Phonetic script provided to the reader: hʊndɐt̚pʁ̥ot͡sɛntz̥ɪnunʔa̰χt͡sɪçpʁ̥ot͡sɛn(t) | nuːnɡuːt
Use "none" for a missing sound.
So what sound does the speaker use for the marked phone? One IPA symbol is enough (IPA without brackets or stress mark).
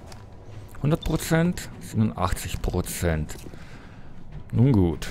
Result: t